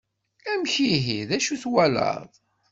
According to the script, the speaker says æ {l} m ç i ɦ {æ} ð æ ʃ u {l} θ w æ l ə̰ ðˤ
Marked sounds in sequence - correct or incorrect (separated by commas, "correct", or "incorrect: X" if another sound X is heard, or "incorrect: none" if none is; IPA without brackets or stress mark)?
incorrect: none, incorrect: i, incorrect: none